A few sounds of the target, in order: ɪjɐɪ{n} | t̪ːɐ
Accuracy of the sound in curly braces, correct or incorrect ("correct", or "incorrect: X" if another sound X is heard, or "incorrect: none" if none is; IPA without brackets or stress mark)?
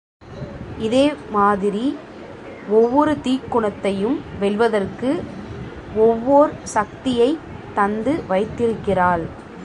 incorrect: none